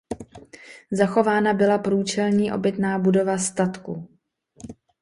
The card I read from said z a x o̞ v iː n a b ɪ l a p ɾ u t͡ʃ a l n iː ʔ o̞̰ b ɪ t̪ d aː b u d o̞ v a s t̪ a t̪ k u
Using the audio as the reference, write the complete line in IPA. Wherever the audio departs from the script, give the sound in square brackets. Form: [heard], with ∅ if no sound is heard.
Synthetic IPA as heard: z a x o̞ v [aː] n a b ɪ l a p ɾ [uː] t͡ʃ [ɛ] l [ɲ] iː ʔ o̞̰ b ɪ t̪ [n] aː b u d o̞ v a s t̪ a t̪ k u